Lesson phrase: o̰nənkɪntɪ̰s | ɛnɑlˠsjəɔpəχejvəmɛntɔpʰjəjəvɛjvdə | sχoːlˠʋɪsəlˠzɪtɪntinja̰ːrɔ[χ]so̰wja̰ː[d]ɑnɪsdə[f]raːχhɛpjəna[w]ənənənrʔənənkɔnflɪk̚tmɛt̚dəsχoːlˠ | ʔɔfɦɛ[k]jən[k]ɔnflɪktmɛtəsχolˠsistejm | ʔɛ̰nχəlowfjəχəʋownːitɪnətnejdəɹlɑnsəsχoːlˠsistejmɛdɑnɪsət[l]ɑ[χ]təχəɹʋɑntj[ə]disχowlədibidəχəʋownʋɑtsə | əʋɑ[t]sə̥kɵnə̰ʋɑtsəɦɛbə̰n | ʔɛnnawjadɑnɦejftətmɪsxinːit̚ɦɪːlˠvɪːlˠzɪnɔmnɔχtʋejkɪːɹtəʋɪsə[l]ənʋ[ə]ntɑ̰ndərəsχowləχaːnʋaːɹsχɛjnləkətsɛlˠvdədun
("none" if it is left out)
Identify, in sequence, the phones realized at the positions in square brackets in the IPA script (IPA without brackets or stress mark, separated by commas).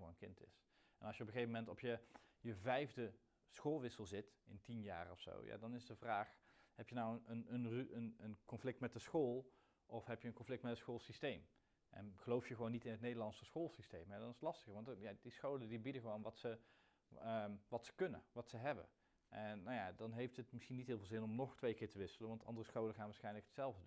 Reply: f, d, v, w, p, k, l, s, a, t, l, ɑ